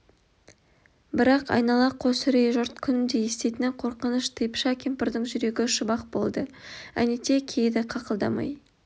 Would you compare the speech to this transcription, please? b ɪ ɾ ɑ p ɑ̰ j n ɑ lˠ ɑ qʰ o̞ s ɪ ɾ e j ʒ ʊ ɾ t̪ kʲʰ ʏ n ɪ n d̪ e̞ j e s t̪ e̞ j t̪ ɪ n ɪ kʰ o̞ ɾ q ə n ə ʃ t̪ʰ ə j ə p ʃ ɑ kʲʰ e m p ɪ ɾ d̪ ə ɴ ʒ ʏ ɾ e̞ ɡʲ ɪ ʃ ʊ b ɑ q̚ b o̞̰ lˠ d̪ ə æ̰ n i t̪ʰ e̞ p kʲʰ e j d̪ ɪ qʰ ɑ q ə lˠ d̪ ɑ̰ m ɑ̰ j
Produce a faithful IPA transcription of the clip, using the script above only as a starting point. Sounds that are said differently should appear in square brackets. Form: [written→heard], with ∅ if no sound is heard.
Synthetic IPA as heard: b ɪ ɾ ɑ [p→q] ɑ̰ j n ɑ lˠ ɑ qʰ o̞ s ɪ ɾ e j ʒ ʊ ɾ t̪ kʲʰ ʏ n ɪ n d̪ e̞ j e s t̪ e̞ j t̪ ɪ n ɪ [kʰ→qʰ] o̞ ɾ q ə n ə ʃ t̪ʰ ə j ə p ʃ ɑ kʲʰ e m p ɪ ɾ d̪ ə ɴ ʒ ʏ ɾ e̞ ɡʲ ɪ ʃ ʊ b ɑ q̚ b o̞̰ lˠ d̪ ə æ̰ n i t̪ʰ e̞ [p→∅] kʲʰ e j d̪ ɪ qʰ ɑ q ə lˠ d̪ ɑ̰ m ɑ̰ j

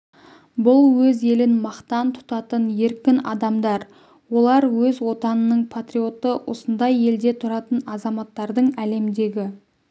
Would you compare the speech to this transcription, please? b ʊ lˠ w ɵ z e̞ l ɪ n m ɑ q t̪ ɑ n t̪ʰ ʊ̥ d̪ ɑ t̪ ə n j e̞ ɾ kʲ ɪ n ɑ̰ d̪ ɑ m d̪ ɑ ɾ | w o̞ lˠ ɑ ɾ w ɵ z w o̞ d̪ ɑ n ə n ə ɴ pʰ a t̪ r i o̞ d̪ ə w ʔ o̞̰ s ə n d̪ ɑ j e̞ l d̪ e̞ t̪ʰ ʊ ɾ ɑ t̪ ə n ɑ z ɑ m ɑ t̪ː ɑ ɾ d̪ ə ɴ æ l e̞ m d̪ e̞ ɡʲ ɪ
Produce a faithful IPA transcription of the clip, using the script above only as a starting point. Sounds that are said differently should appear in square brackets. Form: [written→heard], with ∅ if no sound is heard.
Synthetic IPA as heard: b ʊ lˠ w ɵ z e̞ l ɪ n m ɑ q t̪ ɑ n t̪ʰ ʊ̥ [d̪→t̪] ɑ t̪ ə n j e̞ ɾ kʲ ɪ n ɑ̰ d̪ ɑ m d̪ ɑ ɾ | w o̞ lˠ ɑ ɾ w ɵ z w o̞ [d̪→t̪] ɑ n ə n ə ɴ pʰ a t̪ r i o̞ [d̪→t̪] ə w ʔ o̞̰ s ə n d̪ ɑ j e̞ l d̪ e̞ t̪ʰ ʊ ɾ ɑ t̪ ə n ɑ z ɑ m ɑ t̪ː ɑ ɾ d̪ ə ɴ æ l e̞ m d̪ e̞ ɡʲ ɪ

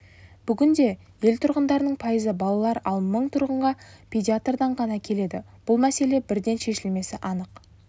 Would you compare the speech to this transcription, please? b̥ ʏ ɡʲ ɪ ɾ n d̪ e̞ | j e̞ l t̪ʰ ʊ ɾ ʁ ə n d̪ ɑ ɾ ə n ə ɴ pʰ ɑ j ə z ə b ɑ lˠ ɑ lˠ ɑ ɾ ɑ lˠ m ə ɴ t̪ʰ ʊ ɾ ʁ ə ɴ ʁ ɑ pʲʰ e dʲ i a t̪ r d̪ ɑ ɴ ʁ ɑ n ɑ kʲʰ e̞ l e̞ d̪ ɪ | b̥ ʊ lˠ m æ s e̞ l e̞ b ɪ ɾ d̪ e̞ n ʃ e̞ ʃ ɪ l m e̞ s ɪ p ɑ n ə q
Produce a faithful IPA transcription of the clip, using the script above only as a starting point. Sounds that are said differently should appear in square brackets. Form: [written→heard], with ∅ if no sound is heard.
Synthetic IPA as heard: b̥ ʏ ɡʲ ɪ [ɾ→∅] n d̪ e̞ | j e̞ l t̪ʰ ʊ ɾ ʁ ə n d̪ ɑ ɾ ə n ə ɴ pʰ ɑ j ə z ə b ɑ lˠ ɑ lˠ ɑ ɾ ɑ lˠ m ə ɴ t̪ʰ ʊ ɾ ʁ ə ɴ ʁ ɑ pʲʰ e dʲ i a t̪ r d̪ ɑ ɴ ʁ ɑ n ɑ kʲʰ e̞ l e̞ d̪ ɪ | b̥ ʊ lˠ m æ s e̞ l e̞ b ɪ ɾ d̪ e̞ n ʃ e̞ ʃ ɪ l m e̞ s ɪ [p→ʔ] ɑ n ə q

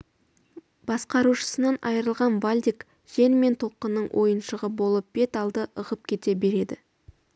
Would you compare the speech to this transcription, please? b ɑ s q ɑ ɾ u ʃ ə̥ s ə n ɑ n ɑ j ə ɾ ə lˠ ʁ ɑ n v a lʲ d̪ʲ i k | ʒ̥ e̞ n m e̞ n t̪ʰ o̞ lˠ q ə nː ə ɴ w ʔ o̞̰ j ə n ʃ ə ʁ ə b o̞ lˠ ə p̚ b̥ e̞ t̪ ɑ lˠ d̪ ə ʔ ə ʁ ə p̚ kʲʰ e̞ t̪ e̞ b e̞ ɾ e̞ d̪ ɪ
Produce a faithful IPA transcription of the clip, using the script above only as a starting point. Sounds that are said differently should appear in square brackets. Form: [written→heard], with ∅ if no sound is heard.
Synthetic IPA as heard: b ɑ s q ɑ ɾ u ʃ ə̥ s ə n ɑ n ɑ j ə ɾ ə lˠ ʁ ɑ n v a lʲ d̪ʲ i k | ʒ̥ e̞ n m e̞ n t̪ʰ o̞ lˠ q ə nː ə ɴ w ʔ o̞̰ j ə n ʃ ə ʁ ə b o̞ lˠ ə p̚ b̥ e̞ t̪ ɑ lˠ d̪ ə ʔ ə ʁ ə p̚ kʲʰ e̞ t̪ e̞ b e̞ ɾ e̞ d̪ ɪ

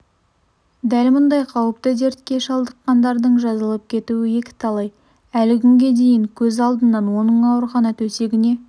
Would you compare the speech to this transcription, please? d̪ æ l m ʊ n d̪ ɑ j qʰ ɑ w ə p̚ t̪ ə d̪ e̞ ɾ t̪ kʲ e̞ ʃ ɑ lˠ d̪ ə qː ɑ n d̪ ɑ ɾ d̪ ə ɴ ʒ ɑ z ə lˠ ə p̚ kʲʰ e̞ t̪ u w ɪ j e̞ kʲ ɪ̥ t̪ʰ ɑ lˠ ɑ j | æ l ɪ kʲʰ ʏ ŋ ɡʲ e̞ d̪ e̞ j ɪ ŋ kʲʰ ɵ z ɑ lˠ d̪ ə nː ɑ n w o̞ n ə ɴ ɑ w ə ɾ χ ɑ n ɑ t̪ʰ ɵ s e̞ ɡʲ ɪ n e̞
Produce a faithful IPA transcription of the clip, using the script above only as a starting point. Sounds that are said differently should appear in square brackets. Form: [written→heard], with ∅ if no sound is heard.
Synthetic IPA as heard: d̪ æ l m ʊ n d̪ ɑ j qʰ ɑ w ə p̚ t̪ ə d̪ e̞ ɾ t̪ kʲ e̞ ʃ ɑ lˠ d̪ ə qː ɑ n d̪ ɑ ɾ d̪ ə ɴ ʒ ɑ z ə lˠ ə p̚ kʲʰ e̞ t̪ u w ɪ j e̞ kʲ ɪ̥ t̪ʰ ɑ lˠ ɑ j | æ l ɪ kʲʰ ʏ ŋ ɡʲ e̞ d̪ e̞ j ɪ ŋ kʲʰ ɵ z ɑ lˠ d̪ ə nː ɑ n w o̞ n ə ɴ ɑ w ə ɾ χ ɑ n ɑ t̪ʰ ɵ s e̞ ɡʲ ɪ n e̞

